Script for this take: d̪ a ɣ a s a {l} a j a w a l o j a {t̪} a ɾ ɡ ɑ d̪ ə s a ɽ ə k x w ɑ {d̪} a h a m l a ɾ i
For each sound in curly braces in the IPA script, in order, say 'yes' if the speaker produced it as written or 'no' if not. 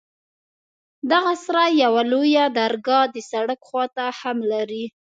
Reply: no, no, no

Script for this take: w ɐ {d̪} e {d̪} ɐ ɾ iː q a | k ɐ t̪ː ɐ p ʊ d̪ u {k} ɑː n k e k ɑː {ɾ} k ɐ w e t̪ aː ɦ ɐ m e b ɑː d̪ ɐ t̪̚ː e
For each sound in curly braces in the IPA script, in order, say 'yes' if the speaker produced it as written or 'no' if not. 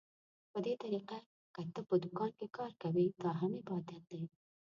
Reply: yes, no, yes, yes

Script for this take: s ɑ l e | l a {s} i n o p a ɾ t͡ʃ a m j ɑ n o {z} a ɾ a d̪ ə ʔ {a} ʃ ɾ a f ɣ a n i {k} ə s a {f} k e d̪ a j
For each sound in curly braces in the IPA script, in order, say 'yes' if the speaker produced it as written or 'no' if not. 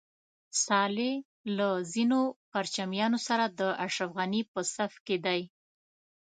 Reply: no, no, yes, no, yes

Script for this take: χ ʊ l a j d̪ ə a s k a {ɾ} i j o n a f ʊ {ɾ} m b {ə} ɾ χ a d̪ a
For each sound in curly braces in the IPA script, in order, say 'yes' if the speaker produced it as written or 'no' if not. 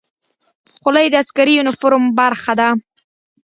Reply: yes, yes, no

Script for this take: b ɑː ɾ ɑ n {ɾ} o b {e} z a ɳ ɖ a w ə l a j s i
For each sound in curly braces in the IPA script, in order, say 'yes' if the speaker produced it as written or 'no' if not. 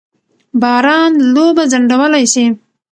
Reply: no, no

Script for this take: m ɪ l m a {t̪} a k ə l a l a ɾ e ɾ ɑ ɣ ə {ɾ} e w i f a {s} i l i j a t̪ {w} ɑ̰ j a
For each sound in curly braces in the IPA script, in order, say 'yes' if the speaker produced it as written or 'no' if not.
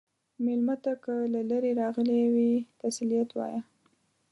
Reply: yes, no, yes, yes

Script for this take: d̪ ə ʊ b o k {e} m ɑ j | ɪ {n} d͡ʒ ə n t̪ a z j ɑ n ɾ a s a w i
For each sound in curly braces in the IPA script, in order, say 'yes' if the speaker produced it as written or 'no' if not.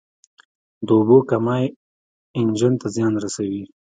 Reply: no, yes

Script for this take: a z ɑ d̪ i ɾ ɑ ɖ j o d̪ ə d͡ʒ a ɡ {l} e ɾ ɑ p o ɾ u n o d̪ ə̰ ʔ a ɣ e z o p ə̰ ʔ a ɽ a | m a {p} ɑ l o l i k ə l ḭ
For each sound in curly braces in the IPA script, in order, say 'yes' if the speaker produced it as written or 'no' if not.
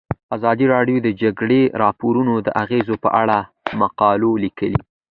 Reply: no, no

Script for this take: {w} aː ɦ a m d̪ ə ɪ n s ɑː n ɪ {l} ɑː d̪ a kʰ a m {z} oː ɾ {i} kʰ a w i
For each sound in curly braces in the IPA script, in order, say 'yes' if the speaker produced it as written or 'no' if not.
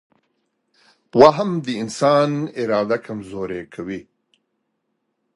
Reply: yes, no, yes, no

